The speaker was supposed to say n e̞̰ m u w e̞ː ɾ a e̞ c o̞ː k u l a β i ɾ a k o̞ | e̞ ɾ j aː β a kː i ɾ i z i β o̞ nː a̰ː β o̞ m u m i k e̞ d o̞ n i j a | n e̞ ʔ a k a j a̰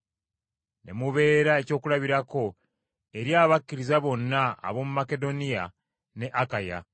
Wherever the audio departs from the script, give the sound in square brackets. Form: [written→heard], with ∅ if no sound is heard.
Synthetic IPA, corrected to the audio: n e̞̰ m u [w→β] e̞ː ɾ a e̞ c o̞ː k u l a β i ɾ a k o̞ | e̞ ɾ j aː β a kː i ɾ i z [i→a] β o̞ nː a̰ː β o̞ m u m [i→a] k e̞ d o̞ n i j a | n e̞ ʔ a k a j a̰